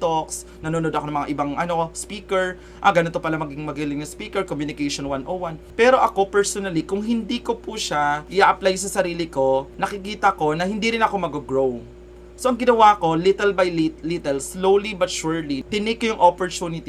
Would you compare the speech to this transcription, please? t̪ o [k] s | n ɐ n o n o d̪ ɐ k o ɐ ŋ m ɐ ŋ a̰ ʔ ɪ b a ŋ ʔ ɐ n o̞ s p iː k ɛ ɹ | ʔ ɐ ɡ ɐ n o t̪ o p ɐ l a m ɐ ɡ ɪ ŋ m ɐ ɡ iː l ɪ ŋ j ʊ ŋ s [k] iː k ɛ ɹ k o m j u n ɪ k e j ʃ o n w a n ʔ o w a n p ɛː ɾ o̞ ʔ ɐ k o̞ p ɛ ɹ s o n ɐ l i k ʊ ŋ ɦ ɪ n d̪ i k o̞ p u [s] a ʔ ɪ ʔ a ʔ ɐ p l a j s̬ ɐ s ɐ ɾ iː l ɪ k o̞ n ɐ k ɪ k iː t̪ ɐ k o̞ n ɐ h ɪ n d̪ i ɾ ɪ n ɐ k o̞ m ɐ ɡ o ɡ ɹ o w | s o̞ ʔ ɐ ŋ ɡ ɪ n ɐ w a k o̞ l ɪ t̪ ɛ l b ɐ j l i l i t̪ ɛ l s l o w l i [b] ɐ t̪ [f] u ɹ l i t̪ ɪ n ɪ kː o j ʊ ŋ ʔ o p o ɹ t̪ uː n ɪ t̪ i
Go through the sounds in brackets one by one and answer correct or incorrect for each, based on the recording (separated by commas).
correct, incorrect, incorrect, correct, incorrect